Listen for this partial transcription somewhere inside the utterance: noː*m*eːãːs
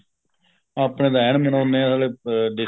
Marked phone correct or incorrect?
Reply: incorrect